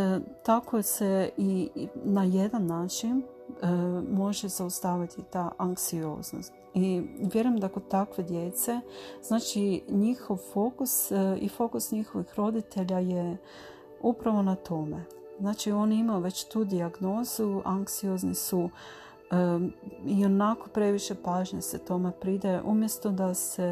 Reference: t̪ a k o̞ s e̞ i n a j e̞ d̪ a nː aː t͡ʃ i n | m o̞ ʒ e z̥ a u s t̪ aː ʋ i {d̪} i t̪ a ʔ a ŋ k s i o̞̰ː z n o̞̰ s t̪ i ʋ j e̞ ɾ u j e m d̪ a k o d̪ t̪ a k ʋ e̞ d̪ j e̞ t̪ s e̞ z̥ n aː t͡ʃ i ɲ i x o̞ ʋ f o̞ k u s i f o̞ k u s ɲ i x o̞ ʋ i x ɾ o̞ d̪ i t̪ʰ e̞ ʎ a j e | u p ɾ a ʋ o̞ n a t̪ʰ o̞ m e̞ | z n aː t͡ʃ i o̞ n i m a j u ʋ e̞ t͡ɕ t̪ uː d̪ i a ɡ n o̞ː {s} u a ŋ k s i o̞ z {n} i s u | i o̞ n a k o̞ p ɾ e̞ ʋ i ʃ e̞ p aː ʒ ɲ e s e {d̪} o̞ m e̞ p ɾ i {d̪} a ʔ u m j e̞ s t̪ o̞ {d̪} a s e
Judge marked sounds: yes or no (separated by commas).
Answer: no, no, yes, no, yes, yes